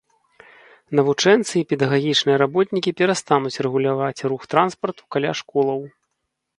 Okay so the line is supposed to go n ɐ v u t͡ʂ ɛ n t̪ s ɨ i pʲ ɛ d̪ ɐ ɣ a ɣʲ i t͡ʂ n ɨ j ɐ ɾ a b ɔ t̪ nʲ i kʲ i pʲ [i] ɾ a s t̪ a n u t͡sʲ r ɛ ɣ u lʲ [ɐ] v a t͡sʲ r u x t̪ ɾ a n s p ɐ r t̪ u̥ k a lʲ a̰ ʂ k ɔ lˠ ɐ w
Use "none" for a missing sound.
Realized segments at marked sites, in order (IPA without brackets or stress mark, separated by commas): ɛ, a